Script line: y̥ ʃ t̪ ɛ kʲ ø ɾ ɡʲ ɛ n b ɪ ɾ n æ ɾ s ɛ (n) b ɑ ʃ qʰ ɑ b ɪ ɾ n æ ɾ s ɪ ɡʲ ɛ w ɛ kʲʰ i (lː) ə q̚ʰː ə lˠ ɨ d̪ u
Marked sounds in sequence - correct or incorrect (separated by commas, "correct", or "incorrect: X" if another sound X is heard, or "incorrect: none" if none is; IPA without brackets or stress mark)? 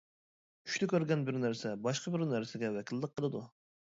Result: incorrect: none, correct